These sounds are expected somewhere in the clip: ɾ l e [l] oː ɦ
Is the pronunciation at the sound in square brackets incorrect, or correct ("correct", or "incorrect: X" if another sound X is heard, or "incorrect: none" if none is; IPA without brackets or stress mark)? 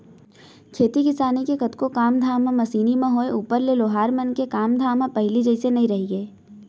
correct